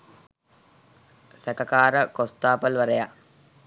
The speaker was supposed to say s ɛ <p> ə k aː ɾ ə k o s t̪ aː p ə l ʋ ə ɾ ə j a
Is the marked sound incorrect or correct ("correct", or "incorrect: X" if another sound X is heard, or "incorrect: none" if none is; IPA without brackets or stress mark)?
incorrect: k